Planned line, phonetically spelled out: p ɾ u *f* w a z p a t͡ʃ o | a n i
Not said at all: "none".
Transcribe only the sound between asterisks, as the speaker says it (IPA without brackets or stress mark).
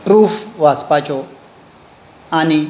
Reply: f